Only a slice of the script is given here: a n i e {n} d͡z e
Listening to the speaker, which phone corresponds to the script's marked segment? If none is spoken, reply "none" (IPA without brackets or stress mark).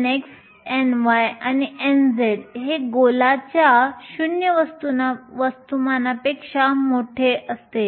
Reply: n